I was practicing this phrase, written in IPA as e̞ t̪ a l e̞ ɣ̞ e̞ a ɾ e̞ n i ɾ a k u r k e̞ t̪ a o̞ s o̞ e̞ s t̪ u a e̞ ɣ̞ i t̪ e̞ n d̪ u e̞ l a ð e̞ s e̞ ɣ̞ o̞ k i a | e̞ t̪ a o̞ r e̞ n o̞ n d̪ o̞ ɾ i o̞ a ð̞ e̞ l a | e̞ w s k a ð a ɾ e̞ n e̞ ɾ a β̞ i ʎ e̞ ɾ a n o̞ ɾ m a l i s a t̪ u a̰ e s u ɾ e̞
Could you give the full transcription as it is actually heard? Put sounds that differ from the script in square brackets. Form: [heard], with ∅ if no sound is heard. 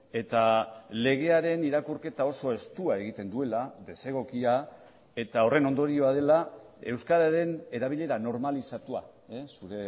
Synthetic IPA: e̞ t̪ a l e̞ ɣ̞ e̞ a ɾ e̞ n i ɾ a k u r k e̞ t̪ a o̞ s o̞ e̞ s t̪ u a e̞ ɣ̞ i t̪ e̞ n d̪ u e̞ l a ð e̞ s e̞ ɣ̞ o̞ k i a | e̞ t̪ a o̞ r e̞ n o̞ n d̪ o̞ ɾ i o̞ a ð̞ e̞ l a | e̞ w s k a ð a ɾ e̞ n e̞ ɾ a β̞ i ʎ e̞ ɾ a n o̞ ɾ m a l i s a t̪ u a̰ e s u ɾ e̞